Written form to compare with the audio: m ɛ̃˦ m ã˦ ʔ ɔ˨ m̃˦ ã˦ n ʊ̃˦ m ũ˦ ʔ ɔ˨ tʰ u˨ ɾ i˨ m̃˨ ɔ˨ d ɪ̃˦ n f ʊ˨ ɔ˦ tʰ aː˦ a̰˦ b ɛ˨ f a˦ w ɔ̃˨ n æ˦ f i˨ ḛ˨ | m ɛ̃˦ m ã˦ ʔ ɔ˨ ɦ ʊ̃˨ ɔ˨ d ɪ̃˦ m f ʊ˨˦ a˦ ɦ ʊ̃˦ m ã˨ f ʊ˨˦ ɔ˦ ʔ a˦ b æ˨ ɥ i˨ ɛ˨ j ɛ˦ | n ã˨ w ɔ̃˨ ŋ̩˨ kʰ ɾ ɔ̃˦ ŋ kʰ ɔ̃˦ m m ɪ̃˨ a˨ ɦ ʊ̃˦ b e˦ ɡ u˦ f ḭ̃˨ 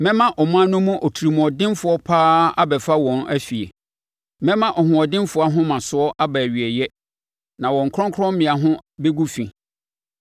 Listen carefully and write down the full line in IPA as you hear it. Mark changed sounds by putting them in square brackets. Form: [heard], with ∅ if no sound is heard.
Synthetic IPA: m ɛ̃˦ m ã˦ ʔ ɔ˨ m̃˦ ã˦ n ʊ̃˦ m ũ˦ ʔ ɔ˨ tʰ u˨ ɾ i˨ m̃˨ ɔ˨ d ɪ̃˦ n f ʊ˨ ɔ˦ [pʰ] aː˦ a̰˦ b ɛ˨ f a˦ w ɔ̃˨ n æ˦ f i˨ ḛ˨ | m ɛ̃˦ m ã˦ ʔ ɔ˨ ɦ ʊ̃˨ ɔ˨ d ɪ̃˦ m f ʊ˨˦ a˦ ɦ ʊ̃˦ m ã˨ [s] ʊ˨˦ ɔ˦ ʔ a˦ b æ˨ ɥ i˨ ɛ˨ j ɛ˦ | n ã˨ w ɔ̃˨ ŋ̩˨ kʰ ɾ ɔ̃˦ ŋ kʰ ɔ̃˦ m m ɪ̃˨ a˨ ɦ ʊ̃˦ b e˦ ɡ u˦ f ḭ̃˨